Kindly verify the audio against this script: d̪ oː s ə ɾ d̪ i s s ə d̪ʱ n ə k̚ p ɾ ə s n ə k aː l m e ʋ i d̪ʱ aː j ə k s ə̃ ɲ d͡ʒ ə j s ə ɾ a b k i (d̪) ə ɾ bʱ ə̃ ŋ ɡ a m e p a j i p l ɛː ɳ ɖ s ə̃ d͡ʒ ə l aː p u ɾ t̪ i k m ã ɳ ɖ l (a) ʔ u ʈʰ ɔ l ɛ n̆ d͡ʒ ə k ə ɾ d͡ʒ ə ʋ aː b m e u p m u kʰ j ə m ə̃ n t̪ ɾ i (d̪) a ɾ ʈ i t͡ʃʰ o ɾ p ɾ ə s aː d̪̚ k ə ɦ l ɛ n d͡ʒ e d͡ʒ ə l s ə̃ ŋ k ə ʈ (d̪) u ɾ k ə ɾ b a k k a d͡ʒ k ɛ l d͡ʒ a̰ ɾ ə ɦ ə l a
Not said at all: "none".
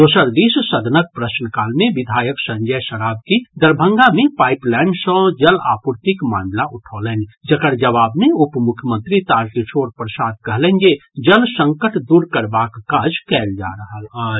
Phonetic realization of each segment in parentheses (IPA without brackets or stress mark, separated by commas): d̪, a, t̪, d̪